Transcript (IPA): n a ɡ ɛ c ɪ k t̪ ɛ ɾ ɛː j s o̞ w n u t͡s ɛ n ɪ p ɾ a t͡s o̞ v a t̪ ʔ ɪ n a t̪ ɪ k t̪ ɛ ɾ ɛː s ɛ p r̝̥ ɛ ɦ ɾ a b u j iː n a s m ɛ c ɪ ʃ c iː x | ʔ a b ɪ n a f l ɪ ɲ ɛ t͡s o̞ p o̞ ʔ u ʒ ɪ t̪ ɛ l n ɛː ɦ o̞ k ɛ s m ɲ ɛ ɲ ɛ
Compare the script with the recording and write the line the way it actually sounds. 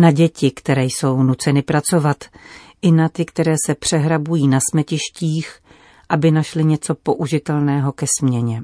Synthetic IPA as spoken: n a ɟ ɛ c ɪ k t̪ ɛ ɾ ɛː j s o̞ w n u t͡s ɛ n ɪ p ɾ a t͡s o̞ v a t̪ ʔ ɪ n a t̪ ɪ k t̪ ɛ ɾ ɛː s ɛ p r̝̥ ɛ ɦ ɾ a b u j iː n a s m ɛ c ɪ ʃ c iː x | ʔ a b ɪ n a ʃ l ɪ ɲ ɛ t͡s o̞ p o̞ ʔ u ʒ ɪ t̪ ɛ l n ɛː ɦ o̞ k ɛ s m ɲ ɛ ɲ ɛ